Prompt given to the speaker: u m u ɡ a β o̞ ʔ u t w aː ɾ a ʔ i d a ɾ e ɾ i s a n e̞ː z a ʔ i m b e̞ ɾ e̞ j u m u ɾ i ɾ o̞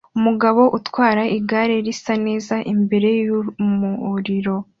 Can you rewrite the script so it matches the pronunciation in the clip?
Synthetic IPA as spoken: u m u ɡ a β o̞ ʔ u t w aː ɾ a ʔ i ɡ a ɾ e ɾ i s a n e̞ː z a ʔ i m b e̞ ɾ e̞ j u m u ɾ i ɾ o̞